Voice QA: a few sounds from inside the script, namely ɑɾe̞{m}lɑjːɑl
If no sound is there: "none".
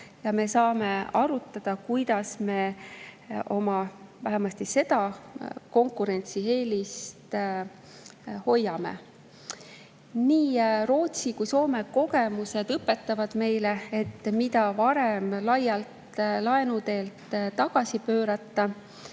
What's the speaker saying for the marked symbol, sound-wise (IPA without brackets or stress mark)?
m